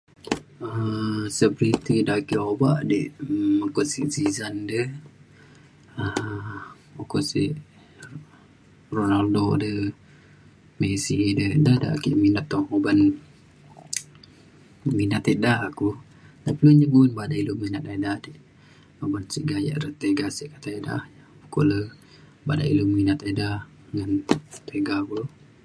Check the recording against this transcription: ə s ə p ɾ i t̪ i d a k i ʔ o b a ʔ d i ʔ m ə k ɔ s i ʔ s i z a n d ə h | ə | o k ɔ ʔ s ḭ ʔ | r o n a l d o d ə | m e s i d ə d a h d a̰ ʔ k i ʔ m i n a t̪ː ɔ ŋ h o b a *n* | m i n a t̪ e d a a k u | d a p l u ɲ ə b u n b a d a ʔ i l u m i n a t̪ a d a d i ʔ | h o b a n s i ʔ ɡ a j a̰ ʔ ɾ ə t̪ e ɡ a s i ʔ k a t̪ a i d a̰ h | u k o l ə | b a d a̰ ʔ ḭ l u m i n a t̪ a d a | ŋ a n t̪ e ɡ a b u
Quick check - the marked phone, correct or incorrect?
correct